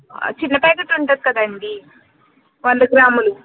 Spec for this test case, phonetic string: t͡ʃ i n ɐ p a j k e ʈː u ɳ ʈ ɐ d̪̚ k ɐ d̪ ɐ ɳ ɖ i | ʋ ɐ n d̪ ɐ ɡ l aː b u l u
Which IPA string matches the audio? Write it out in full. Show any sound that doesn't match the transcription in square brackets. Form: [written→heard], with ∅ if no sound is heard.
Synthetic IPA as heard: t͡ʃ i [n→nː] ɐ p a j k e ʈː u ɳ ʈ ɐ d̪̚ k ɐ d̪ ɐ ɳ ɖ i | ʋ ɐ n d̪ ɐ ɡ [l→ɾ] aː [b→m] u l u